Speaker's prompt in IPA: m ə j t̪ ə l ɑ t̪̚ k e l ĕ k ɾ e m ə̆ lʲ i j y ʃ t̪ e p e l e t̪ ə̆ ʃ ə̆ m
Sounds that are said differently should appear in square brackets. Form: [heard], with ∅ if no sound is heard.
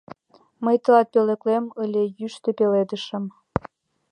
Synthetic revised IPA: m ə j t̪ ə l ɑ t̪̚ [p] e l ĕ k [l] e m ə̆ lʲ [e] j y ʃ t̪ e p e l e [d̪] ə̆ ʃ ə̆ m